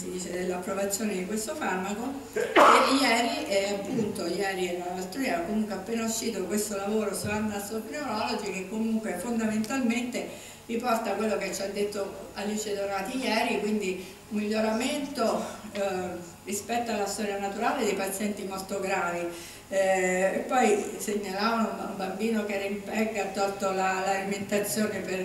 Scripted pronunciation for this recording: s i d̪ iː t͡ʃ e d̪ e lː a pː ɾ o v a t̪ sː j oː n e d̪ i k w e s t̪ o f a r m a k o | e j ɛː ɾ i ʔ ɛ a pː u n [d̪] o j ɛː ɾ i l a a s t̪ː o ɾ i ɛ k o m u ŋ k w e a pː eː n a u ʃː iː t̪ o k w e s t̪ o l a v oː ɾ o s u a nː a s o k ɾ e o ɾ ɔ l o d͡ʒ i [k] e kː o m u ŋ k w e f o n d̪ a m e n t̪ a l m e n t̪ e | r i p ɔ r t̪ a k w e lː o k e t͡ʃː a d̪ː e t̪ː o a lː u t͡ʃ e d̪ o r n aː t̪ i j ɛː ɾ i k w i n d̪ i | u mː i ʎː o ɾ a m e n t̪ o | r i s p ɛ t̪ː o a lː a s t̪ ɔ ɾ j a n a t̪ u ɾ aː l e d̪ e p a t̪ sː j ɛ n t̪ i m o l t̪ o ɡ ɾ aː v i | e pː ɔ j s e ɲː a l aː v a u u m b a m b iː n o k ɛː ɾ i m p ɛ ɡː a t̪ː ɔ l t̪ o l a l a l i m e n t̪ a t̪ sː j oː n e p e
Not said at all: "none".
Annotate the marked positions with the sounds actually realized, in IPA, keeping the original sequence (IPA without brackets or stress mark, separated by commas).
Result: t̪, k